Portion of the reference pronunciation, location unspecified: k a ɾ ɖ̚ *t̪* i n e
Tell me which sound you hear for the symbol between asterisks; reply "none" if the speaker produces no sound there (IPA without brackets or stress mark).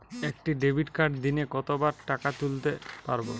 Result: d̪